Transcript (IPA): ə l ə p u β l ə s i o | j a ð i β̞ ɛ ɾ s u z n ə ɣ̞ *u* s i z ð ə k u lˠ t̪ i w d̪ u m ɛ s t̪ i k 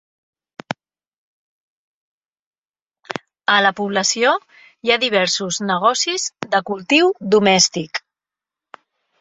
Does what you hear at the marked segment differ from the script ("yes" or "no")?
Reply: yes